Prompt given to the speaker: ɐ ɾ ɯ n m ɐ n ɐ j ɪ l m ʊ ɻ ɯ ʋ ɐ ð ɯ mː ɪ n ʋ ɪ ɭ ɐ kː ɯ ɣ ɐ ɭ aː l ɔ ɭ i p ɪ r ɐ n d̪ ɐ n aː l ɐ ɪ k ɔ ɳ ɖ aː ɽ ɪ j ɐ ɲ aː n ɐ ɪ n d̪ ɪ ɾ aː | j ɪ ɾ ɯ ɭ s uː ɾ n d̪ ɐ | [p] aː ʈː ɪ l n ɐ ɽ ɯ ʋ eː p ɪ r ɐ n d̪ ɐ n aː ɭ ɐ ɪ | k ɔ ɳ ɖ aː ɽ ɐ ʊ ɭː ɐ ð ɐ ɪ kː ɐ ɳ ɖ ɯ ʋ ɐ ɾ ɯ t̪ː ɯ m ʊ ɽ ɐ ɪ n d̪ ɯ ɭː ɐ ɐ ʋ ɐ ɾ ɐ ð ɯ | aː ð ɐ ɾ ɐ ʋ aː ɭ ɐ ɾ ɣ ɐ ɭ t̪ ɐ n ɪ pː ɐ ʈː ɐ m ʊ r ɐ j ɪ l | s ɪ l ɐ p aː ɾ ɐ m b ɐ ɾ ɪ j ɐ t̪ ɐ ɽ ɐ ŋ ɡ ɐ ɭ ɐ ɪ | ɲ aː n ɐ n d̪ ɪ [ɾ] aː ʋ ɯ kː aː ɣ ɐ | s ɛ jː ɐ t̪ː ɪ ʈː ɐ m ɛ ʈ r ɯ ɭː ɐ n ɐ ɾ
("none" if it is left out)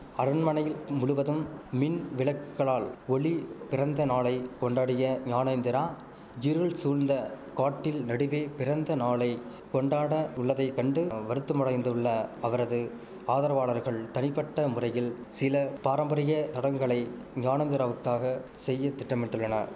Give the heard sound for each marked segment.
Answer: k, ɾ

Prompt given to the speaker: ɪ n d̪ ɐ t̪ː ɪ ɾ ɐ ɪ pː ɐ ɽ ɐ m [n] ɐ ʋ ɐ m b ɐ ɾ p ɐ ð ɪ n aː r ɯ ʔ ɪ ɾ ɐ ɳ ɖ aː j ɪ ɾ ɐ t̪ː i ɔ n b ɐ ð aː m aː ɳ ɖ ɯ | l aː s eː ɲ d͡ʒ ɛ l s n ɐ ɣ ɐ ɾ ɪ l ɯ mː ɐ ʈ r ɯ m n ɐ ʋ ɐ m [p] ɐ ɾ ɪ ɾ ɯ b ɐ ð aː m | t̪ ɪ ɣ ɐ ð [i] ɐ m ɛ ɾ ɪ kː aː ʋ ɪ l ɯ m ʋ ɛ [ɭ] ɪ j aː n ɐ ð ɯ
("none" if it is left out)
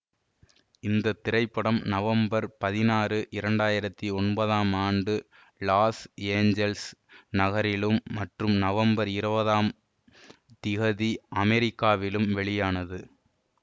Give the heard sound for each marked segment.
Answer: n, b, i, ɭ

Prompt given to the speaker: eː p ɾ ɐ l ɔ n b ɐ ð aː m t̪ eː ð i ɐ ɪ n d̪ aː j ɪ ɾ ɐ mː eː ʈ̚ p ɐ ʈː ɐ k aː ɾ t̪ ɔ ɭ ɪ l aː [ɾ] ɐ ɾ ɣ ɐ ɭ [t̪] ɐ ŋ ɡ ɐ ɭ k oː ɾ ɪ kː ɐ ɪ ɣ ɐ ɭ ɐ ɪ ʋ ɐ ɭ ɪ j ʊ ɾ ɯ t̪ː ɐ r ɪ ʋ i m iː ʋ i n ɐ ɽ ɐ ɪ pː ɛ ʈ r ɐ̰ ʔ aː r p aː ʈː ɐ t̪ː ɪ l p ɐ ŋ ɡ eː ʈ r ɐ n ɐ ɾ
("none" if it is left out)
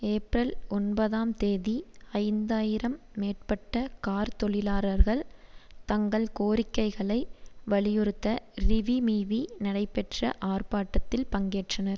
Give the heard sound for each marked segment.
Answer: ɾ, t̪

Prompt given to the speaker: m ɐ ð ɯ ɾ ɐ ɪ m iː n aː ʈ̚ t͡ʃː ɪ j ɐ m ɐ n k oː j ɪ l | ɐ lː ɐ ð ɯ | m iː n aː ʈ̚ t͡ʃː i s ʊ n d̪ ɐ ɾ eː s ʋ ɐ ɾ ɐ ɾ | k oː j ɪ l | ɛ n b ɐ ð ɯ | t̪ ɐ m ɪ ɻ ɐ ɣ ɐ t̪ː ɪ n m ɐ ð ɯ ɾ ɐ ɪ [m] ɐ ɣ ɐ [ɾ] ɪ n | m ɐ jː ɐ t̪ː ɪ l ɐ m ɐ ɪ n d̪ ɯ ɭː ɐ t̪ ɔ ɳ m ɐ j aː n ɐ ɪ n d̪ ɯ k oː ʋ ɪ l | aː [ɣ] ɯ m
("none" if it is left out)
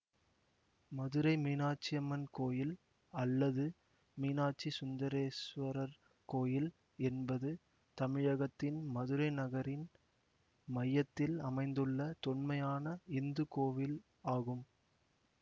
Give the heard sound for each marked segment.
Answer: n, ɾ, ɣ

